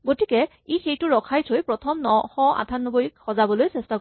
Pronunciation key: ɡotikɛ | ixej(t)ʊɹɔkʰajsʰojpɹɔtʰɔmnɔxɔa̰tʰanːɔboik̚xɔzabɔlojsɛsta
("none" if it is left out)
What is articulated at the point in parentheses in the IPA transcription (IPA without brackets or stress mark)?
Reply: t